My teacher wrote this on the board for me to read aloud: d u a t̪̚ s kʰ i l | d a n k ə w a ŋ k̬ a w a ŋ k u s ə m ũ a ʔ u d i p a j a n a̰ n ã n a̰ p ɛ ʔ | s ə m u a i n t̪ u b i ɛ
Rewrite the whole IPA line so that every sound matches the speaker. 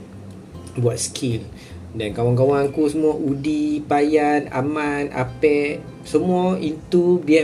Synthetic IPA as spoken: b u a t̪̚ s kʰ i l | d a n k a w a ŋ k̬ a w a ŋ k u s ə m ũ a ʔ u d i p a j a n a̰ m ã n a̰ p ɛ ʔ | s ə m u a i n t̪ u b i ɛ